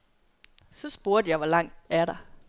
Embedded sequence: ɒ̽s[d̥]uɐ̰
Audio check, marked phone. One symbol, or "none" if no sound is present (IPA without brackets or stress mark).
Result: b̥